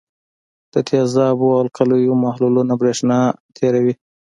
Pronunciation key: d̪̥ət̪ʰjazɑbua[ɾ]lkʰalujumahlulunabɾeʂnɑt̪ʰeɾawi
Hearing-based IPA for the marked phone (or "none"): none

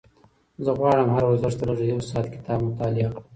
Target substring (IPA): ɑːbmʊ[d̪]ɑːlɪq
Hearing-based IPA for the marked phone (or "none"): t̪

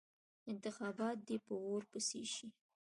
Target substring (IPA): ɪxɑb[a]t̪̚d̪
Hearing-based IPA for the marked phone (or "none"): ɑ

